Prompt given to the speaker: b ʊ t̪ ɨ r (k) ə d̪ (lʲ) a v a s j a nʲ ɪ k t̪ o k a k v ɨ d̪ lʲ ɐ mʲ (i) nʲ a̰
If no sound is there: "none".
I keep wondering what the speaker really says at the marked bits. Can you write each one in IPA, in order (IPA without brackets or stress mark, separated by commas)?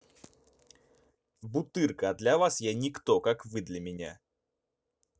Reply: k, lʲ, ɪ